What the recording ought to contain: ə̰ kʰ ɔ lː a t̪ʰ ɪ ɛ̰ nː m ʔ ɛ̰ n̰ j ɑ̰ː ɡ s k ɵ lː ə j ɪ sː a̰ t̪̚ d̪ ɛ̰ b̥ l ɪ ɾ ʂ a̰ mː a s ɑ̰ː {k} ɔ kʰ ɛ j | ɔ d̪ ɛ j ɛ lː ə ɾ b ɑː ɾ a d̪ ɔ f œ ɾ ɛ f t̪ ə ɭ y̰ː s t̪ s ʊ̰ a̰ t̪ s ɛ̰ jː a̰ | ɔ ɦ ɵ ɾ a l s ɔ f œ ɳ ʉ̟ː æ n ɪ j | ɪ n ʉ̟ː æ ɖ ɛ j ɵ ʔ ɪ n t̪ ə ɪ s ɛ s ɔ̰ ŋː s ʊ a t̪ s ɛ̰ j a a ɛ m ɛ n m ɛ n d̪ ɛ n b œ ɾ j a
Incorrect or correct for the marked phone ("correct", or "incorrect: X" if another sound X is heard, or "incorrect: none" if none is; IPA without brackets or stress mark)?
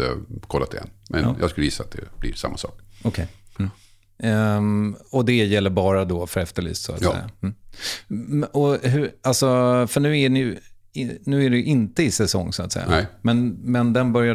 correct